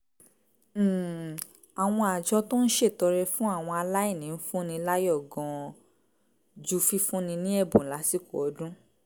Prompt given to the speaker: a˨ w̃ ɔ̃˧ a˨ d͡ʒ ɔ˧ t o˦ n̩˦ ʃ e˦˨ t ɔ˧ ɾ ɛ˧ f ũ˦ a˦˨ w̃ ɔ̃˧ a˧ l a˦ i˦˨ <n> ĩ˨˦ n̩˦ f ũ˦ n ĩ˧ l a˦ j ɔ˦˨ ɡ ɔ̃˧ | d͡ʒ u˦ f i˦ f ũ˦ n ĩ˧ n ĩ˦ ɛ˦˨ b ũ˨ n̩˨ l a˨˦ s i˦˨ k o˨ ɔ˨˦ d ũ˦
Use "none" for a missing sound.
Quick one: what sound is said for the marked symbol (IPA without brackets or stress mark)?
n